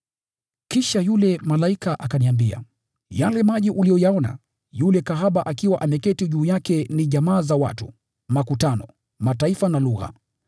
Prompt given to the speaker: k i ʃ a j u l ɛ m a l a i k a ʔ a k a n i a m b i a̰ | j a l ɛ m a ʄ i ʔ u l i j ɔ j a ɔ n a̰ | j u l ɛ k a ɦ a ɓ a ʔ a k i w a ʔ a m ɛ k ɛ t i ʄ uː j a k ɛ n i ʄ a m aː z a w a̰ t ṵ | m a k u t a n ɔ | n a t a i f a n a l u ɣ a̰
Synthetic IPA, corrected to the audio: k i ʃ a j u l ɛ m a l a i k a ʔ a k a n i a m b i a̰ | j a l ɛ m a ʄ i ʔ u l i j ɔ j a ɔ n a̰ | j u l ɛ k a ɦ a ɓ a ʔ a k i w a ʔ a m ɛ k ɛ t i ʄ uː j a k ɛ n i ʄ a m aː z a w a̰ t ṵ | m a k u t a n ɔ | m a t a i f a n a l u ɣ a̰